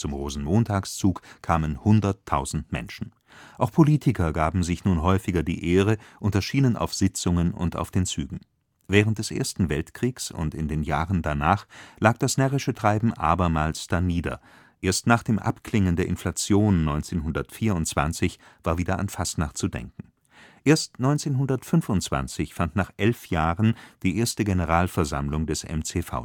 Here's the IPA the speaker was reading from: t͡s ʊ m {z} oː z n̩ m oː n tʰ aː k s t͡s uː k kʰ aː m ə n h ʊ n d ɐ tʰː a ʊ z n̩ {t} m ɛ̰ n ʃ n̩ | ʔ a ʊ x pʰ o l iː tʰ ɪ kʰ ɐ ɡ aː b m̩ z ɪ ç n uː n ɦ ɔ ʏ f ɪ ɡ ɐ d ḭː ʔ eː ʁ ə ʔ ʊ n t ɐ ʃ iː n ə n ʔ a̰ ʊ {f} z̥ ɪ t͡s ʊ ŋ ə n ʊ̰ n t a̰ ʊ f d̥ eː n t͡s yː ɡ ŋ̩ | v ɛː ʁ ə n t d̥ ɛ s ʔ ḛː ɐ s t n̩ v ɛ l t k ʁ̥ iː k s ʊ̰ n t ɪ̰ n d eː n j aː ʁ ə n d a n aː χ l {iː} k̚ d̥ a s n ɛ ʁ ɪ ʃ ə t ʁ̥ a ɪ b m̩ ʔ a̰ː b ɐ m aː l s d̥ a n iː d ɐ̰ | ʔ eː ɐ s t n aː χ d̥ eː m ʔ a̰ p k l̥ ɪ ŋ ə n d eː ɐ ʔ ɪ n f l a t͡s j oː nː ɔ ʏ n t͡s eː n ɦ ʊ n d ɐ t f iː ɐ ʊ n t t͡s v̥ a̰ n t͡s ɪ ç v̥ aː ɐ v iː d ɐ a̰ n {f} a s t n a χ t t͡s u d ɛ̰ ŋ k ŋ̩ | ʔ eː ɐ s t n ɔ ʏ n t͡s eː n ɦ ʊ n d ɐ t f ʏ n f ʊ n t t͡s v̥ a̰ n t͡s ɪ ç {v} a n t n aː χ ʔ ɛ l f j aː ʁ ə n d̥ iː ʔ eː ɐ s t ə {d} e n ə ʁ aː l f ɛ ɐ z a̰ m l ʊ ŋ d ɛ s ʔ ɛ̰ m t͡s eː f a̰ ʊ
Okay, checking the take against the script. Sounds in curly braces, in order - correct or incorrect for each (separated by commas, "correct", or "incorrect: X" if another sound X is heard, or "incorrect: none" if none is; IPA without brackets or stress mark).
incorrect: ʁ, correct, correct, incorrect: aː, correct, incorrect: f, incorrect: ɡ